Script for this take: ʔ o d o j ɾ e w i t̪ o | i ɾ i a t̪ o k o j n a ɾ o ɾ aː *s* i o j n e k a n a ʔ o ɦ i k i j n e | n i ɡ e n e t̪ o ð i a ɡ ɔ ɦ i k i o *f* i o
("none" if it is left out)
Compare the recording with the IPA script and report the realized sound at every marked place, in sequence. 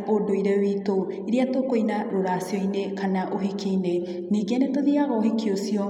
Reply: s, s

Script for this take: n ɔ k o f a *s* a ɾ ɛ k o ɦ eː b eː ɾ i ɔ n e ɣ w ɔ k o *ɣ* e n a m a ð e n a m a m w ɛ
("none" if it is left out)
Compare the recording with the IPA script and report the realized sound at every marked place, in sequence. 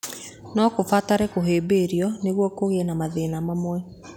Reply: t, ɣ

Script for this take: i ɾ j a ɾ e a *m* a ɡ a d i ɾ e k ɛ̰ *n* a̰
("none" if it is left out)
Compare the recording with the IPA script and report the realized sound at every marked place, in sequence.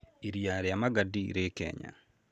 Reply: m, ɲ

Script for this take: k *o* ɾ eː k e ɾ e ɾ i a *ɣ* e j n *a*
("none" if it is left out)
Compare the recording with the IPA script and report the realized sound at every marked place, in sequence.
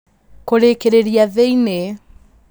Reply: o, ð, e

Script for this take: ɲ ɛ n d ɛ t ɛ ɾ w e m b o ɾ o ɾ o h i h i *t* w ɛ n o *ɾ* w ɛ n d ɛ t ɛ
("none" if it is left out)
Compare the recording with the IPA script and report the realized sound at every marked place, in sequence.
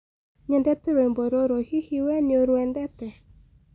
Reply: none, ɾ

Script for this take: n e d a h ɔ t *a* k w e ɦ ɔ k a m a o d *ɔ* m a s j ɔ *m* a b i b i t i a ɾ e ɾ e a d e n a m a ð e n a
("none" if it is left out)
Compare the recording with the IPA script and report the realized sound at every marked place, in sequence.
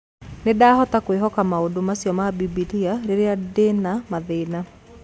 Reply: a, o, m

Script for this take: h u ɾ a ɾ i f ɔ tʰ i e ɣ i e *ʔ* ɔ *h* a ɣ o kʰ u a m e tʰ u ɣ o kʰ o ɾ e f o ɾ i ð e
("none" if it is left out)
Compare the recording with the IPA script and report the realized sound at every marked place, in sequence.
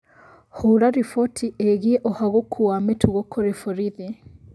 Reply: ʔ, h

